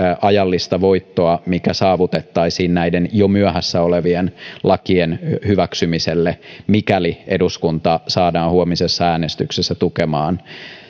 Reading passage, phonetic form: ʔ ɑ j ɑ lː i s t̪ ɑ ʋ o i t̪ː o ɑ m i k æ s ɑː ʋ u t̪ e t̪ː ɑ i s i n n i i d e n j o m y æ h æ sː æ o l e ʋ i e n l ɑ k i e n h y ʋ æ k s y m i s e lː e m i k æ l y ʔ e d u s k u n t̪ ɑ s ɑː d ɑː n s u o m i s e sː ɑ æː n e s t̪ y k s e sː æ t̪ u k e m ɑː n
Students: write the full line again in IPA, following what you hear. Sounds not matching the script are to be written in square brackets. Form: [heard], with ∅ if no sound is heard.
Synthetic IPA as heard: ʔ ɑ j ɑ lː i s t̪ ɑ ʋ o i t̪ː o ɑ m i k æ s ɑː ʋ u t̪ e t̪ː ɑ i s [iː] n n [æ] i d e n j o m y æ h æ sː æ o l e ʋ i e n l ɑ k i e n h y ʋ æ k s y m i s e lː e m i k æ l [i] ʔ e d u s k u n t̪ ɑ s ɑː d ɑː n [h] u o m i s e sː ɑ æː n e s t̪ y k s e sː æ t̪ u k e m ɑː n